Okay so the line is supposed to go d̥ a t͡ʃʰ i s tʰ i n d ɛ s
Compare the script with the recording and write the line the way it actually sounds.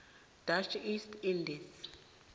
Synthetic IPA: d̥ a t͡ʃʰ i s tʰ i n d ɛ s